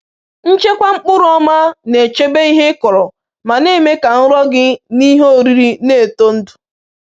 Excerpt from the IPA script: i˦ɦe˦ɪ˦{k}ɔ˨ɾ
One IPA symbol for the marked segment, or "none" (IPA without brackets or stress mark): k